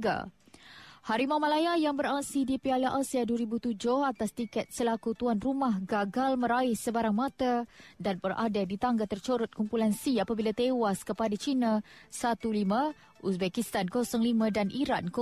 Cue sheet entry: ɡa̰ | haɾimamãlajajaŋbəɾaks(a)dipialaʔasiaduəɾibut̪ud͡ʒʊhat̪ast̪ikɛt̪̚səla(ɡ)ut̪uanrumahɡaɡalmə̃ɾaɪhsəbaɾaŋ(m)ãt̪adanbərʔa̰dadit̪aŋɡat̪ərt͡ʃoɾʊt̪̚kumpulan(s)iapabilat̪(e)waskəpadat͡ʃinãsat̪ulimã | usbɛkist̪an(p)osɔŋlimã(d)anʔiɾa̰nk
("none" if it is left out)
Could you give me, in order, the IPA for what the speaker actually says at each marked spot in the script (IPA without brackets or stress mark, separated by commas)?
i, k, m, s, e, k, d